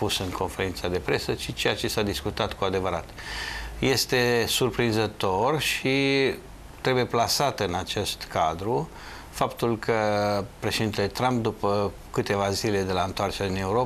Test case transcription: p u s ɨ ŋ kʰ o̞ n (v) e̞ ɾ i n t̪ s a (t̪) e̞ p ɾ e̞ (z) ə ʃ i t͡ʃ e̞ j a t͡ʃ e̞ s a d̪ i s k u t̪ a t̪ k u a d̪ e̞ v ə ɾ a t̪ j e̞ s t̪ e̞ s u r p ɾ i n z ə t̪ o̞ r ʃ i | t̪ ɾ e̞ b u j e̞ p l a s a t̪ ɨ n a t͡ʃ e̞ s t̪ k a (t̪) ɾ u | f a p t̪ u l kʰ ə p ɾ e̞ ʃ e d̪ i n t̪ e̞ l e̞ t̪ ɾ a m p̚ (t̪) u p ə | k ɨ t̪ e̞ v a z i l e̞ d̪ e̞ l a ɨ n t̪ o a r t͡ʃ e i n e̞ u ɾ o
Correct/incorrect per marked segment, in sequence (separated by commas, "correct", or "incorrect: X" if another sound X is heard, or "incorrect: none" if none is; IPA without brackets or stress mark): incorrect: f, incorrect: d̪, incorrect: s, incorrect: d̪, incorrect: d̪